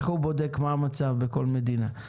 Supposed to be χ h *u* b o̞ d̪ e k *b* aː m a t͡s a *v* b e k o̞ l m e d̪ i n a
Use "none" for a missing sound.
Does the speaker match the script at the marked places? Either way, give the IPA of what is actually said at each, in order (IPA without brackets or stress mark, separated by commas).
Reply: u, m, v